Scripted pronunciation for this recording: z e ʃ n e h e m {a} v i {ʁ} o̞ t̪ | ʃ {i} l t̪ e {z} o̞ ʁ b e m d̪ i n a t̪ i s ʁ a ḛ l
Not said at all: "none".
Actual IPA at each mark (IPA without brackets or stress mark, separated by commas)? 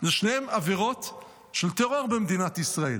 a, ʁ, e, ʁ